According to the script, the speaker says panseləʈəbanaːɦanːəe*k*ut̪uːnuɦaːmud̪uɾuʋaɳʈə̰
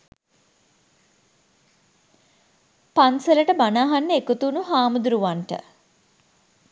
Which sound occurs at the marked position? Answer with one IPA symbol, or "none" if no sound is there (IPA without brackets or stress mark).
k